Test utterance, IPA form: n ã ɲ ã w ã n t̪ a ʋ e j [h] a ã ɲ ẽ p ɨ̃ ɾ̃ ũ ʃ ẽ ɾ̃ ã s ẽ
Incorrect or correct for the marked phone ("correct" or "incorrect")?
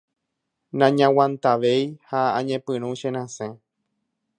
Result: correct